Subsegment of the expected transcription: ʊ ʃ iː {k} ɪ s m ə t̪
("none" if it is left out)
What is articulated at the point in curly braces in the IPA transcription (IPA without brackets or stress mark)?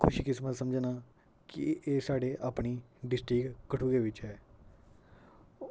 k